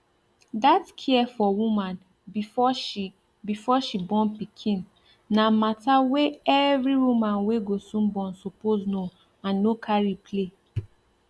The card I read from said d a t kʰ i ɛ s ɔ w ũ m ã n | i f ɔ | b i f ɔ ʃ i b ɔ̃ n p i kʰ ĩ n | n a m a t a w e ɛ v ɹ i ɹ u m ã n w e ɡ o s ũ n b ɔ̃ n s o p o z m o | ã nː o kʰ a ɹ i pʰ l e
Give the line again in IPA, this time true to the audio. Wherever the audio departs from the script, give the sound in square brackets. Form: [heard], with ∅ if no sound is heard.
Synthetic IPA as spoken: d a t kʰ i ɛ [f] ɔ w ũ m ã n | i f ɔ | b i f ɔ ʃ i b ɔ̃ n p i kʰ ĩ n | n a m a t a w e ɛ v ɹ i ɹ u m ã n w e ɡ o s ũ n b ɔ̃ n s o p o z [n] o | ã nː o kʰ a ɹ i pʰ l e